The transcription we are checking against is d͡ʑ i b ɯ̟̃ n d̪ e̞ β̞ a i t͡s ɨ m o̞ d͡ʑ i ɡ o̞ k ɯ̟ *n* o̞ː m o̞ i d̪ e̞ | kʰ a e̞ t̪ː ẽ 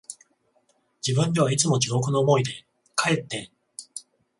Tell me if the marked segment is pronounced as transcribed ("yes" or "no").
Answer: yes